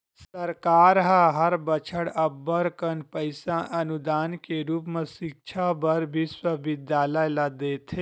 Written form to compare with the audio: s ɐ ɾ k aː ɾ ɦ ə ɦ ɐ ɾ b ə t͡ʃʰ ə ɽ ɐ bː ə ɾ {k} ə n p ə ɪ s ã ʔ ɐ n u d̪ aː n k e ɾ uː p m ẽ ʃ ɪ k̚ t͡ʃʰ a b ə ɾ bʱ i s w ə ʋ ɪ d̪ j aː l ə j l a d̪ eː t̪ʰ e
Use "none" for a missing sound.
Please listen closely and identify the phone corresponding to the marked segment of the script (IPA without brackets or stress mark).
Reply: k